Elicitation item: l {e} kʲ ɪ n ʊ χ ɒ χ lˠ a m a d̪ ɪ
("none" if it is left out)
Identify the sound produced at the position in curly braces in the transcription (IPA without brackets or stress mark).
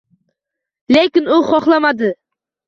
e